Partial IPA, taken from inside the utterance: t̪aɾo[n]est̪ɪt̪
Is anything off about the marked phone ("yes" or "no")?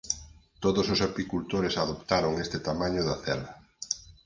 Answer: yes